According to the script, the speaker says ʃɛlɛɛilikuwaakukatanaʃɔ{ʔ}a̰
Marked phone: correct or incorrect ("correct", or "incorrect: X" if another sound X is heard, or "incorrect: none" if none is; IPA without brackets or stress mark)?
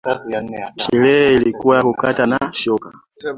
incorrect: k